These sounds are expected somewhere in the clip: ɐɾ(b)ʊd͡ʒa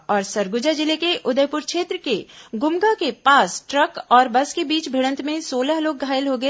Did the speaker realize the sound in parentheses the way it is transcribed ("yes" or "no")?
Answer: no